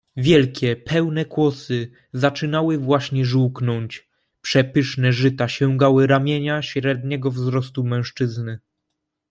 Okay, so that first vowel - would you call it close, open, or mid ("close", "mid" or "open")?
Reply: mid